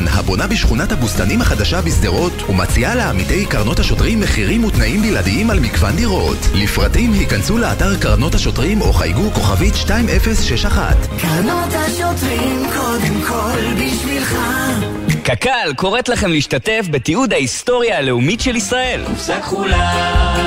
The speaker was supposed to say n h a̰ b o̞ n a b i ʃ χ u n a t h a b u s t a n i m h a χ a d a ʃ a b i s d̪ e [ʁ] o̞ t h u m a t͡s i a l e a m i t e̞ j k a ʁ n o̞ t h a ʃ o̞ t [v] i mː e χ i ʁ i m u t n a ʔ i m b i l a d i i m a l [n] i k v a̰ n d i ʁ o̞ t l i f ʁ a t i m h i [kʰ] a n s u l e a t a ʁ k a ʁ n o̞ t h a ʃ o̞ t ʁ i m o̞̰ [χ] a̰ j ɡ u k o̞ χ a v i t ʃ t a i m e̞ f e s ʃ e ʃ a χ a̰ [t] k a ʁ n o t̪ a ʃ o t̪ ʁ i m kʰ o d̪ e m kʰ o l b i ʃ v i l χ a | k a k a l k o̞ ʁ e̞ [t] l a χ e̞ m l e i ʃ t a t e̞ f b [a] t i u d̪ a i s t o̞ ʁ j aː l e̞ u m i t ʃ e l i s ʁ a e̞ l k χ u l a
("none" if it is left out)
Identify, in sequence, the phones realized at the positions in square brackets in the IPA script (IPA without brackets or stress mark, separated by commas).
ʁ, ʁ, m, k, χ, t, t, e